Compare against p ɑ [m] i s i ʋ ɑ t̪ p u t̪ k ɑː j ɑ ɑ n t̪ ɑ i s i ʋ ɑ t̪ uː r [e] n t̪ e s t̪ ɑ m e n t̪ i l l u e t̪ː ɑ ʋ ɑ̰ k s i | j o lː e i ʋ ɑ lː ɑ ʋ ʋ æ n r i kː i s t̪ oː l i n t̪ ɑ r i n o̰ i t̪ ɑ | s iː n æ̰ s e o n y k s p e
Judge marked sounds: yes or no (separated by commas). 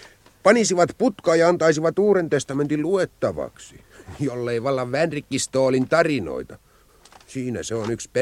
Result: no, yes